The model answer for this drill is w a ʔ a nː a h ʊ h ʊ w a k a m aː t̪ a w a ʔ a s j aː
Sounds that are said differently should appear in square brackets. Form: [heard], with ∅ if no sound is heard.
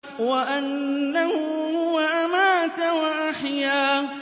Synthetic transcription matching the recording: w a ʔ a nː a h ʊ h ʊ w a [ʔ] a m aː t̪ a w a ʔ a [ħ] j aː